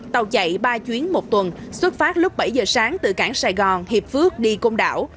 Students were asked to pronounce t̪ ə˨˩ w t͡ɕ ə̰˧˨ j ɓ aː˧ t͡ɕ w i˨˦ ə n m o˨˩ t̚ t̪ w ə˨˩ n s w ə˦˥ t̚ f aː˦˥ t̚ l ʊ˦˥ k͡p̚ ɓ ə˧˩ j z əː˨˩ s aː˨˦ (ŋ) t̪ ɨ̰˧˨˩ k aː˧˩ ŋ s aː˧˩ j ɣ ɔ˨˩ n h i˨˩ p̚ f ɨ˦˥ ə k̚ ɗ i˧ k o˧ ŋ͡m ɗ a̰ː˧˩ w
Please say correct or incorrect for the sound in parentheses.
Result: correct